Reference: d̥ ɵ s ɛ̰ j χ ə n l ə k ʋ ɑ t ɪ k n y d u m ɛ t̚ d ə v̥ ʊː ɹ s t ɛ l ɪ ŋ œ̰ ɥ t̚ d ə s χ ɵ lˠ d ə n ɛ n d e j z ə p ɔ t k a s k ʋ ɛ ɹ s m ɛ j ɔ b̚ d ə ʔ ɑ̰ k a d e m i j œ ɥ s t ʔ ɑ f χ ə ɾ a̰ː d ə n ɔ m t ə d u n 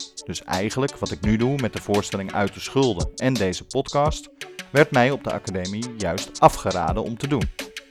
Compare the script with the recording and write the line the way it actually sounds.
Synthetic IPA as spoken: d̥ ɵ s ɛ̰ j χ ə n l ə k ʋ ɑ t ɪ k n y d u m ɛ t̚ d ə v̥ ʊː ɹ s t ɛ l ɪ ŋ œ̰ ɥ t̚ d ə s χ ɵ lˠ d ə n ɛ n d e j z ə p ɔ t k ɑ s t ʋ ɛ ɹ t m ɛ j ɔ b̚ d ə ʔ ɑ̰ k a d e m i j œ ɥ s t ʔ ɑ f χ ə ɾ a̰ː d ə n ɔ m t ə d u n